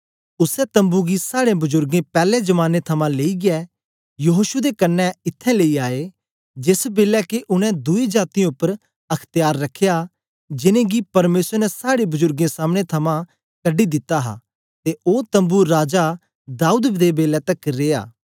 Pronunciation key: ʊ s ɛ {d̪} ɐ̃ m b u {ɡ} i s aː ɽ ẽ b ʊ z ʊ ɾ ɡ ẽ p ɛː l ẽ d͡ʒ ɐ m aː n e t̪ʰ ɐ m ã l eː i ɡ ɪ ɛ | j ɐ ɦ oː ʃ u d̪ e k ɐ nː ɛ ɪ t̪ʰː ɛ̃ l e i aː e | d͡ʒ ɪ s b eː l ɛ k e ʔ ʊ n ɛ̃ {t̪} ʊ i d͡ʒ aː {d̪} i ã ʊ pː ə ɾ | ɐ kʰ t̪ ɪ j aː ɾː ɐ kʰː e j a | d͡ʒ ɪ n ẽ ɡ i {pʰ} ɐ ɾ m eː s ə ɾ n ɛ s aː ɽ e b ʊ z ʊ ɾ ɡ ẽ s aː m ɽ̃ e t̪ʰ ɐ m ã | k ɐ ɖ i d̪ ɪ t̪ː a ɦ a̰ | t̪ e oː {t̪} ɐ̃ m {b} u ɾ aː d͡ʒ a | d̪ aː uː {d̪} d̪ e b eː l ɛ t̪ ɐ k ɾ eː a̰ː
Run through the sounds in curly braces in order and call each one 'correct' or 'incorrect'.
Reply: incorrect: t̪, correct, incorrect: d̪, incorrect: t̪, incorrect: p, correct, correct, correct

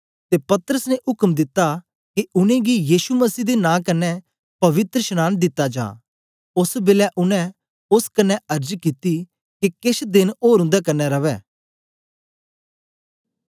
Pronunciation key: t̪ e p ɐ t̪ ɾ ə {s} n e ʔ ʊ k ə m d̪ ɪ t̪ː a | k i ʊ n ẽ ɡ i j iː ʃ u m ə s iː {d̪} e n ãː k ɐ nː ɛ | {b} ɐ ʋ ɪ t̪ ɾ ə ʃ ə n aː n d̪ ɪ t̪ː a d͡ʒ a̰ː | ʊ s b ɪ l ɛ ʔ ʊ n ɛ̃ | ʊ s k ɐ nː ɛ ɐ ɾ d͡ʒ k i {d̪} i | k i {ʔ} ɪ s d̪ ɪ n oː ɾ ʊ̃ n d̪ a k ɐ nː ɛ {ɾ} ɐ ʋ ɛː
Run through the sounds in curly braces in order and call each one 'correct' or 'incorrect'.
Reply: correct, correct, incorrect: p, incorrect: t̪, incorrect: k, correct

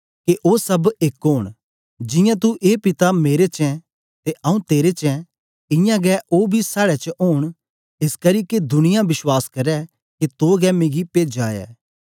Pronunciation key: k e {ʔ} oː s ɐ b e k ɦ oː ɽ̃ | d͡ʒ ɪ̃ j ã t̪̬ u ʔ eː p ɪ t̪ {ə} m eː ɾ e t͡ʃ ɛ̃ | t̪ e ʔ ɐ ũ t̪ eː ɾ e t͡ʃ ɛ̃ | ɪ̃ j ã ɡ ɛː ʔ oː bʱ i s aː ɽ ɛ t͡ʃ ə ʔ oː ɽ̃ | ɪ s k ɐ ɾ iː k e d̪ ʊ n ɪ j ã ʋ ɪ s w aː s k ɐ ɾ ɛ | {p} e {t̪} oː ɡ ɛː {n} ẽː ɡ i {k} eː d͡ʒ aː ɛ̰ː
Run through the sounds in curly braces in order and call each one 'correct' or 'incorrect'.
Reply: correct, incorrect: a, incorrect: k, correct, incorrect: m, incorrect: p

